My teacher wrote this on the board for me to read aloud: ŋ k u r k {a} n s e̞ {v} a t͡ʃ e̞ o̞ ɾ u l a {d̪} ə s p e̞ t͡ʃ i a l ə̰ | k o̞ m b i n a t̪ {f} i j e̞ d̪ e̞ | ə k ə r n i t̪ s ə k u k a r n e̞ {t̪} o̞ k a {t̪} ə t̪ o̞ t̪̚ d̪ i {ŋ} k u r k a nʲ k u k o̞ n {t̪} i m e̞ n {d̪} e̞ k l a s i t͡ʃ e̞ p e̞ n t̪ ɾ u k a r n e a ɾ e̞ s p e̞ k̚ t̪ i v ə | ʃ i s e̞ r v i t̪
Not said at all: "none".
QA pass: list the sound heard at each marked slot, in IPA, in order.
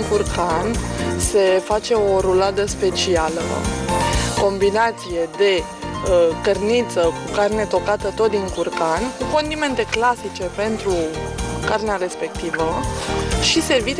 a, f, d̪, s, t̪, t̪, ŋ, d̪, t̪

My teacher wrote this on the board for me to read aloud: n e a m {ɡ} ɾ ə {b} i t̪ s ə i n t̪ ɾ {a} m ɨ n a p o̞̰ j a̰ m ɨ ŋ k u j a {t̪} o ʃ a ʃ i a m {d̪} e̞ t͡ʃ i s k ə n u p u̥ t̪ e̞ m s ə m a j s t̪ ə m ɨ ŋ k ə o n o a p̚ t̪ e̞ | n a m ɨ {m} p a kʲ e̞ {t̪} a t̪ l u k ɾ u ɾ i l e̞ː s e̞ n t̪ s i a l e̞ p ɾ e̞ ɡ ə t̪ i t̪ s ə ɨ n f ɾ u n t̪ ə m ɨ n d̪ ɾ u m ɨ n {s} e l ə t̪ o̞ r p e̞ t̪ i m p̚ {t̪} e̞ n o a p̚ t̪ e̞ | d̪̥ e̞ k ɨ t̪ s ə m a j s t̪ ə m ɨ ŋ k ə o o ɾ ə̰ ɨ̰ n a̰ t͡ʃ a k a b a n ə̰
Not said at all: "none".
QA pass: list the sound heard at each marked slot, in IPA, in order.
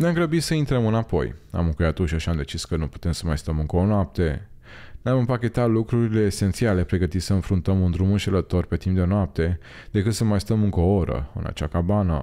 ɡ, b, ə, t̪, d̪, m, t̪, ʃ, d̪

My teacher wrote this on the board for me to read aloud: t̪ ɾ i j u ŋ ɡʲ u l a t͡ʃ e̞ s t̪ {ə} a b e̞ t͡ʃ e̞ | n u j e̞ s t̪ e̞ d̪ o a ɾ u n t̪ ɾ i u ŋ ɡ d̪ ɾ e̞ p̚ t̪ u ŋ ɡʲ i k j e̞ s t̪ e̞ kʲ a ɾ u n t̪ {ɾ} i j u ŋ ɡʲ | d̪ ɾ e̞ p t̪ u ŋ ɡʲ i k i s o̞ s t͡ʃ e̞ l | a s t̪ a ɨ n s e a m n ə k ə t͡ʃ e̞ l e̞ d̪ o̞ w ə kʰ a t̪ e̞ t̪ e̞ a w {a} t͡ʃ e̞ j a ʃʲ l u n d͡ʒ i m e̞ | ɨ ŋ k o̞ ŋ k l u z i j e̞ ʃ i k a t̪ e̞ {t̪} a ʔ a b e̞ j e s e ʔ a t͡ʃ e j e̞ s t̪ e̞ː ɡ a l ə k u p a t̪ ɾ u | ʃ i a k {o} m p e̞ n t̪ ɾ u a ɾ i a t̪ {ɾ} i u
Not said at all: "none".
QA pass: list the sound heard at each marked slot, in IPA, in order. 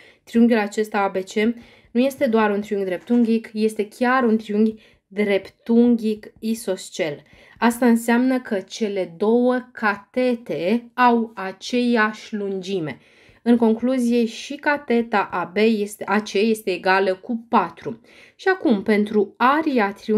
a, ɾ, a, t̪, u, ɾ

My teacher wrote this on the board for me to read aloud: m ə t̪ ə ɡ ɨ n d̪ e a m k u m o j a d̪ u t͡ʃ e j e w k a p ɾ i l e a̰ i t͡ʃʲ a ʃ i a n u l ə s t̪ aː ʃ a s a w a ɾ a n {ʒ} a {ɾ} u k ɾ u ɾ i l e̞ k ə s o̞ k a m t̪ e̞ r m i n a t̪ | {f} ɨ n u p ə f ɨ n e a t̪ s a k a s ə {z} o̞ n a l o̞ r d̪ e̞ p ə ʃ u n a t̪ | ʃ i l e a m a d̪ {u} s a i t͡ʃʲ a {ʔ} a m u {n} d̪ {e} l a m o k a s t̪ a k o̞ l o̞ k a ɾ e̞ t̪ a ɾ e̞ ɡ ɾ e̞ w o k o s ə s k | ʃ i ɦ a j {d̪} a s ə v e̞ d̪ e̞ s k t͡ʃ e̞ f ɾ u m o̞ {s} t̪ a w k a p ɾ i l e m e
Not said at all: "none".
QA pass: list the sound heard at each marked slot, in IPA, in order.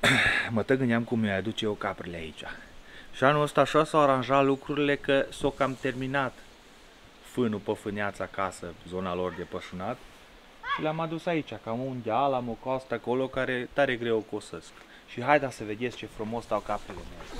ʒ, l, f, z, u, k, n, a, d̪, s

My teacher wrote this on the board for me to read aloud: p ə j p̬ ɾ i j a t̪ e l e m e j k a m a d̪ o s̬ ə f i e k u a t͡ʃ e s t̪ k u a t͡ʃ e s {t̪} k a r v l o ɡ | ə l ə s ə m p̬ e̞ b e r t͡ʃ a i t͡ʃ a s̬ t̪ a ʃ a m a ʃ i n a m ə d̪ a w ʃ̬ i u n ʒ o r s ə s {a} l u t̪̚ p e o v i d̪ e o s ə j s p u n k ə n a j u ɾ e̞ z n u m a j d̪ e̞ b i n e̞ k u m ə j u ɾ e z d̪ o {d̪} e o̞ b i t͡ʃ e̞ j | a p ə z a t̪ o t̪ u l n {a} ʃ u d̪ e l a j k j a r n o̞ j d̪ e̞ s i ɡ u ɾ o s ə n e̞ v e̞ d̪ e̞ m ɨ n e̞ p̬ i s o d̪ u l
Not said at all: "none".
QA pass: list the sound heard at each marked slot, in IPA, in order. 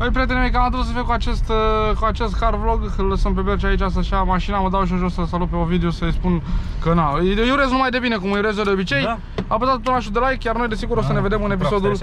t̪, a, d̪, a

